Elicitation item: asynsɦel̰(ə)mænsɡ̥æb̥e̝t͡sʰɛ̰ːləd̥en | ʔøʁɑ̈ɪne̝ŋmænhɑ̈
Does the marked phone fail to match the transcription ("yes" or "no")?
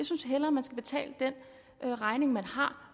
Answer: yes